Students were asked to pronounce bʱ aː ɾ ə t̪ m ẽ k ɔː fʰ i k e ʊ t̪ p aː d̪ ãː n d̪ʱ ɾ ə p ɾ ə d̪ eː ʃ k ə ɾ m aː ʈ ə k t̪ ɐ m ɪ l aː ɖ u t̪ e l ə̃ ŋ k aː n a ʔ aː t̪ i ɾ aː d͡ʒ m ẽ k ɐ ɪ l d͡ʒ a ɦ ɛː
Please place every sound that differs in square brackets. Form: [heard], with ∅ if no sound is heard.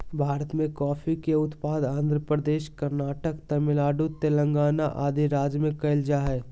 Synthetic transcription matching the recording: bʱ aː ɾ ə t̪ m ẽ k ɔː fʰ i k e ʊ t̪ p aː d̪ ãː n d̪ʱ ɾ ə p ɾ ə d̪ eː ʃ k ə ɾ [n] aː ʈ ə k t̪ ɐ m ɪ l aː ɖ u t̪ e l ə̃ ŋ [ɡ] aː n a ʔ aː [d̪] i ɾ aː d͡ʒ m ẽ k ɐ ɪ l d͡ʒ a ɦ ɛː